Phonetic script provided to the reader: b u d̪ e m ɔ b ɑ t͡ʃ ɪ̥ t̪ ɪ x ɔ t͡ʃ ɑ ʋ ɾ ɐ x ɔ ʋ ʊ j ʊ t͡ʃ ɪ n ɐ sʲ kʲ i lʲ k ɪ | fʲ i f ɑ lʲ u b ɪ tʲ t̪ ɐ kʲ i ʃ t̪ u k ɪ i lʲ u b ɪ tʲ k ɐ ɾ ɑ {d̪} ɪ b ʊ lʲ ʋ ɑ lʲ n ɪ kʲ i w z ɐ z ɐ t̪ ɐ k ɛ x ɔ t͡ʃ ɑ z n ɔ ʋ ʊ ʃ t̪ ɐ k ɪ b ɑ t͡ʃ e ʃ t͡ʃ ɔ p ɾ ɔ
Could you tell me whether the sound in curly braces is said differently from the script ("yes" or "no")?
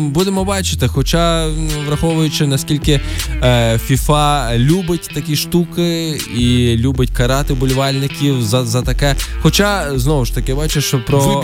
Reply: yes